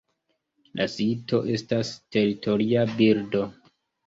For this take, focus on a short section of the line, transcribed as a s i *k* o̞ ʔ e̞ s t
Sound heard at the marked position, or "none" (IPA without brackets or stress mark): t